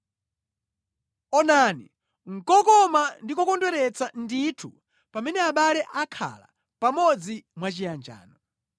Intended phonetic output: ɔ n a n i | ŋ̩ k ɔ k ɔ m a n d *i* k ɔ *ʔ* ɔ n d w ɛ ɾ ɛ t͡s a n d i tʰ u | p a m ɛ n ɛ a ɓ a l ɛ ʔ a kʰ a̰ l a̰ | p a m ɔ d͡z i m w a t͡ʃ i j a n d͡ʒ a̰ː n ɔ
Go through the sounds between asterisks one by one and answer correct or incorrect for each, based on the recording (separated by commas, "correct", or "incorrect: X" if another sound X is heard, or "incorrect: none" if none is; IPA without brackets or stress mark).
correct, incorrect: k